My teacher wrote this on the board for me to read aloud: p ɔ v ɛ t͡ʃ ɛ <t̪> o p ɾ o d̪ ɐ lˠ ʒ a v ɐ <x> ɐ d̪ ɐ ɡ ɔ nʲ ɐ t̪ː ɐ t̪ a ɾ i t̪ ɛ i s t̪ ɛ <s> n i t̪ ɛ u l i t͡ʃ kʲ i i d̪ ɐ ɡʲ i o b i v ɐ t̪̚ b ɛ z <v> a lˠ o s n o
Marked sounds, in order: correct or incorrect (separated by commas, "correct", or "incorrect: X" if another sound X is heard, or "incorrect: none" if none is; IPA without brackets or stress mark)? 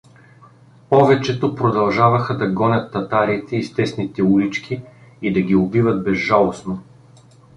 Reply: correct, correct, correct, incorrect: ʒ